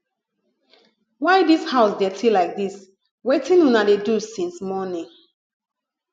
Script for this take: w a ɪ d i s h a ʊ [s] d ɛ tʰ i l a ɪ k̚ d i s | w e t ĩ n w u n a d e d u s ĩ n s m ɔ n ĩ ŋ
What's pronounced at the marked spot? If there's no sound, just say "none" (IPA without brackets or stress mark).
s